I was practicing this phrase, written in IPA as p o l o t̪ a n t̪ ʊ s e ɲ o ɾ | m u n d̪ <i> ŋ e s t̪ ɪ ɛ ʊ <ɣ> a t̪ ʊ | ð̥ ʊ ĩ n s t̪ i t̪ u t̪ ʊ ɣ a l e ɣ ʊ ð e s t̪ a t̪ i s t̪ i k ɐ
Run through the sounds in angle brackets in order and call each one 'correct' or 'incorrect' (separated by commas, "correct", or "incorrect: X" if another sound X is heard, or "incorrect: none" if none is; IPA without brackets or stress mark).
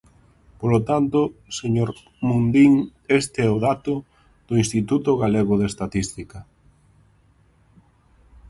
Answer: correct, incorrect: ð